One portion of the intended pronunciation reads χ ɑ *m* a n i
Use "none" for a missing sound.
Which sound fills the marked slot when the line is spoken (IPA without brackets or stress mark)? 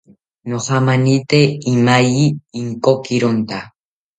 m